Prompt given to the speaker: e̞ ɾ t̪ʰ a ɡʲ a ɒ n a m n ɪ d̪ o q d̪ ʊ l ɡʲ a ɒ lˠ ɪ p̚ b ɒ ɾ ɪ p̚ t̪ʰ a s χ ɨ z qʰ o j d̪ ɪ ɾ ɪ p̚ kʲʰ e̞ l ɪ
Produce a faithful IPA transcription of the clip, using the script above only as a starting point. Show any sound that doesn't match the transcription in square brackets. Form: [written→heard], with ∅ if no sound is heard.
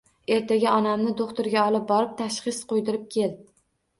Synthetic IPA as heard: e̞ ɾ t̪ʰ a ɡʲ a ɒ n a m n ɪ d̪ o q [d̪→t̪] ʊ [l→ɾ] ɡʲ a ɒ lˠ ɪ p̚ b ɒ ɾ ɪ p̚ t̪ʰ a [s→ʃ] χ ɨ [z→s] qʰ o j d̪ ɪ ɾ ɪ p̚ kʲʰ e̞ l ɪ

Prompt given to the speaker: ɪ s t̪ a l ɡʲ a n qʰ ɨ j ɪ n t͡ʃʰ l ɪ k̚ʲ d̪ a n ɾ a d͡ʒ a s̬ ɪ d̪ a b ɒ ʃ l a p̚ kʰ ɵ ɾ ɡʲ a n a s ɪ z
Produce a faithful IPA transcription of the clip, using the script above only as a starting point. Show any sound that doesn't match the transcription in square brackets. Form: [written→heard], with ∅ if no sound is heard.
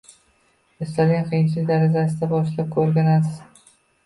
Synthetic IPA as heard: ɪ s t̪ a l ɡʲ a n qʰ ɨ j ɪ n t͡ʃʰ l ɪ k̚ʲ d̪ a [n→∅] ɾ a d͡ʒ a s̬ ɪ d̪ a b ɒ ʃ l a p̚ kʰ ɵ ɾ ɡʲ a n a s ɪ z

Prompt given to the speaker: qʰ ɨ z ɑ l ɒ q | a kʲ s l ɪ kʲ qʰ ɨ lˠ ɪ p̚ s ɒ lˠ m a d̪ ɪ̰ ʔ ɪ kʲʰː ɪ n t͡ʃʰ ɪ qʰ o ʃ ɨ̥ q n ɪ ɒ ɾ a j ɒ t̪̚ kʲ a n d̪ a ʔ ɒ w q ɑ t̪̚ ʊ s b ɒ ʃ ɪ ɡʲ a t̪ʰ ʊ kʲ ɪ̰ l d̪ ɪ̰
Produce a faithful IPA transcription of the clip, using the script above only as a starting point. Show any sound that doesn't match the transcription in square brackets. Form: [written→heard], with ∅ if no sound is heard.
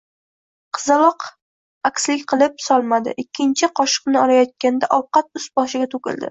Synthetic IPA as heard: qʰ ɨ z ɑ l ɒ q | a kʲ s l ɪ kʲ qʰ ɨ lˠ ɪ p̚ s ɒ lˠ m a d̪ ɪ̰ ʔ ɪ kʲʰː ɪ n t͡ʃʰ ɪ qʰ [o→ɒ] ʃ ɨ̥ q n ɪ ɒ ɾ a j ɒ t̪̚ kʲ a n d̪ a ʔ ɒ w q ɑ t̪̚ ʊ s b ɒ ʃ ɪ ɡʲ a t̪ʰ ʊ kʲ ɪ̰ l d̪ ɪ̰

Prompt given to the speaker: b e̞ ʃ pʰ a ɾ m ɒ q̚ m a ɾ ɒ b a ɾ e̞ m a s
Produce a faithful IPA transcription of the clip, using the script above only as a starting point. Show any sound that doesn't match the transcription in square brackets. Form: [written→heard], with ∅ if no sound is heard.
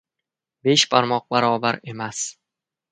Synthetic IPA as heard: b e̞ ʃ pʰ a ɾ m ɒ q̚ [m→b] a ɾ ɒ b a ɾ e̞ m a s

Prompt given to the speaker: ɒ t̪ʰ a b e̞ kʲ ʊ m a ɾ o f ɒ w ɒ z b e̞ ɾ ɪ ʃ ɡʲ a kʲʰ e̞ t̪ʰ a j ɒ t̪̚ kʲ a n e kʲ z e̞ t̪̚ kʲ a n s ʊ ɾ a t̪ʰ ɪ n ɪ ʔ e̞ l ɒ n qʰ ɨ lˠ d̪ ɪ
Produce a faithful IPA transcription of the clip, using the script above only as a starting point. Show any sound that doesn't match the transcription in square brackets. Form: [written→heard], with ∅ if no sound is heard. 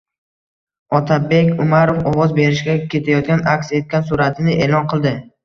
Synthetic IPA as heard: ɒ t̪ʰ a b e̞ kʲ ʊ m a ɾ o f ɒ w ɒ z b e̞ ɾ ɪ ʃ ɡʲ a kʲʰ e̞ t̪ʰ a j ɒ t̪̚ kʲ a n [e→a] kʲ [z→s] e̞ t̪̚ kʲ a n s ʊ ɾ a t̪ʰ ɪ n ɪ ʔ e̞ l ɒ n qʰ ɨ lˠ d̪ ɪ

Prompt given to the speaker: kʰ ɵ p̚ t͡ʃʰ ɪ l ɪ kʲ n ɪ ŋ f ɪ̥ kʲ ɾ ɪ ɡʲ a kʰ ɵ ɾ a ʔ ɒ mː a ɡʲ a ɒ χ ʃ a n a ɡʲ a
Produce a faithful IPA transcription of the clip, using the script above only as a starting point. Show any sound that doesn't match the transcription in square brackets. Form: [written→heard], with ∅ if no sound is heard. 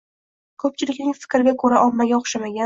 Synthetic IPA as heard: kʰ ɵ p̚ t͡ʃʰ ɪ l ɪ kʲ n ɪ ŋ f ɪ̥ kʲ ɾ ɪ ɡʲ a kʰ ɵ ɾ a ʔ ɒ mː a ɡʲ a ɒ χ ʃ a [n→m] a ɡʲ a

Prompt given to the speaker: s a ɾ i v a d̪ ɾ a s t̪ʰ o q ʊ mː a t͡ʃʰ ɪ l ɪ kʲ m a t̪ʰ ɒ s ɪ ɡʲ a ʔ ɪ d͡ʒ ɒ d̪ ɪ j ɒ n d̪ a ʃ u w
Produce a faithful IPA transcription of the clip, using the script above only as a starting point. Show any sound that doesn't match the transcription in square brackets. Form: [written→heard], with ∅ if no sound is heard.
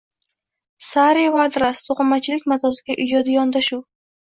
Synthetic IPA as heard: s a ɾ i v a d̪ ɾ a s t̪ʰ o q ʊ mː a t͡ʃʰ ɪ l ɪ kʲ m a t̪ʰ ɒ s ɪ ɡʲ a ʔ ɪ d͡ʒ ɒ d̪ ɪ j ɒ n d̪ a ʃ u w

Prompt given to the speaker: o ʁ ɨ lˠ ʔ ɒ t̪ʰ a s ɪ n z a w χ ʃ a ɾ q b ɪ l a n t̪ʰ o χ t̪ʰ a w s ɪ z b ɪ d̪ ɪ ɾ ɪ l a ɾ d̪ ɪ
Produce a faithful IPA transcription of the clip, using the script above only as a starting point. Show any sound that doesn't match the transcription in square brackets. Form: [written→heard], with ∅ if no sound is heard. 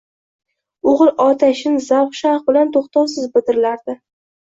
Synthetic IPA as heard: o ʁ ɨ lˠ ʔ ɒ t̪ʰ a [s→ʃ] ɪ n z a w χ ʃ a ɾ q b ɪ l a n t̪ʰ o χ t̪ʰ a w s ɪ z b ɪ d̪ ɪ ɾ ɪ l a ɾ d̪ ɪ

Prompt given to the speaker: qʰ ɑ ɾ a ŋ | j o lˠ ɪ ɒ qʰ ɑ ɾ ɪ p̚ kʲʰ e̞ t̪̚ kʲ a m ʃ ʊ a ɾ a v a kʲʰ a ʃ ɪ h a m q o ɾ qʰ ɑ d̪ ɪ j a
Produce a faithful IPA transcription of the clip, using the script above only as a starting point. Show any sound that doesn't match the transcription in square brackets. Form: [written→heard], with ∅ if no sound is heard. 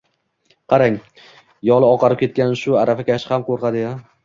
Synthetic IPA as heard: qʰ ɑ ɾ a ŋ | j [o→ɒ] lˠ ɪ ɒ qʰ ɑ ɾ ɪ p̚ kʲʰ e̞ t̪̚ kʲ a [m→n] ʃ ʊ a ɾ a [v→f] a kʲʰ a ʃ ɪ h a m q o ɾ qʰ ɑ d̪ ɪ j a

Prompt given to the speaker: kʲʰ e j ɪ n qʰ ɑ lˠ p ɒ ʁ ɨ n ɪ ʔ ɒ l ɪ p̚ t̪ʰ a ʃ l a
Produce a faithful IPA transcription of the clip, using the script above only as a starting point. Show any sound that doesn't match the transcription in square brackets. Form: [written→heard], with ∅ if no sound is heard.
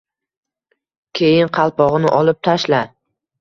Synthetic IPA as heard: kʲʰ e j ɪ n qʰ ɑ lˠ p ɒ ʁ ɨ n ɪ ʔ ɒ l ɪ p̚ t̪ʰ a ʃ l a

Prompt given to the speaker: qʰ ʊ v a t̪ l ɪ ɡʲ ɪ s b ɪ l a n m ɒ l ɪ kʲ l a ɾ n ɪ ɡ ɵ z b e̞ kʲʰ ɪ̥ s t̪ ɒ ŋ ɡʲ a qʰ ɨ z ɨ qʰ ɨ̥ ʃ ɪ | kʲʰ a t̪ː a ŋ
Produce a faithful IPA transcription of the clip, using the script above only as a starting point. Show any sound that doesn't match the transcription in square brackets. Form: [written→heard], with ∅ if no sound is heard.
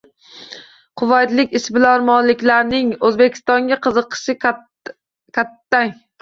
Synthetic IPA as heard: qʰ ʊ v a t̪ l ɪ [ɡʲ→kʲ] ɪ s b ɪ l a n m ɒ l ɪ kʲ l a ɾ n ɪ [ɡ→ŋ] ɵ z b e̞ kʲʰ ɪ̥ s t̪ ɒ ŋ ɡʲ a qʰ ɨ z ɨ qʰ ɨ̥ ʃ ɪ | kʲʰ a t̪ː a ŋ

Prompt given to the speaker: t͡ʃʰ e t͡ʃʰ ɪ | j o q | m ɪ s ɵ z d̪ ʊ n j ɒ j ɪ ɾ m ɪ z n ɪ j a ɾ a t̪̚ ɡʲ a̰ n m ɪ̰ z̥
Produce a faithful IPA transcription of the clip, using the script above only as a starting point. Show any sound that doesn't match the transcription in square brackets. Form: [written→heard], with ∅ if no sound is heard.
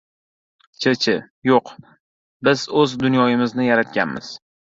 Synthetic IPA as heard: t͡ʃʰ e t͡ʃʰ ɪ | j o q | [m→b] ɪ [s→z] ɵ z d̪ ʊ n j ɒ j ɪ [ɾ→∅] m ɪ z n ɪ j a ɾ a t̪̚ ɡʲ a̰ n m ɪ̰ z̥

